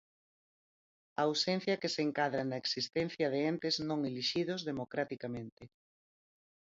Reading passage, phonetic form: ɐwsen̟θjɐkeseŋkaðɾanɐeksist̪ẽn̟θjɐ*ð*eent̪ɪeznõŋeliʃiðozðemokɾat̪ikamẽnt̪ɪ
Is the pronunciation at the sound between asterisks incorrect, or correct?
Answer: correct